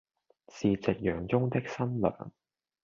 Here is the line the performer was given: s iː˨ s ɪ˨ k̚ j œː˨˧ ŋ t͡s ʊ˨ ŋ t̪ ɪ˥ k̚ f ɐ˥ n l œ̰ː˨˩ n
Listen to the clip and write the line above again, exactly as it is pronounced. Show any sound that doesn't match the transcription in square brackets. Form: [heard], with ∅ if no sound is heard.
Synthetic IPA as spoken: s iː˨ [t͡s] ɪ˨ k̚ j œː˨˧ ŋ t͡s [ʊ˥] ŋ t̪ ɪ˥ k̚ [s] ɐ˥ n l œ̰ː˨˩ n